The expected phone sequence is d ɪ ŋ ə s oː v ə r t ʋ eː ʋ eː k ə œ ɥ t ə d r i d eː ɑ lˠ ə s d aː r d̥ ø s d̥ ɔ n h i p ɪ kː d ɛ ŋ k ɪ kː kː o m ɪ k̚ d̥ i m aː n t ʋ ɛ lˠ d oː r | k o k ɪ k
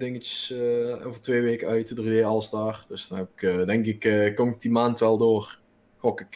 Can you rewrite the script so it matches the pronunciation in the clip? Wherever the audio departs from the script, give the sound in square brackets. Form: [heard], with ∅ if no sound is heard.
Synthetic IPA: d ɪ ŋ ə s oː v ə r t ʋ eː ʋ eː k ə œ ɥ t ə d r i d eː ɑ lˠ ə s d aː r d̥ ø s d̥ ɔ n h [ɛ] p ɪ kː d ɛ ŋ k ɪ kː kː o m ɪ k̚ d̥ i m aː n t ʋ ɛ lˠ d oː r | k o k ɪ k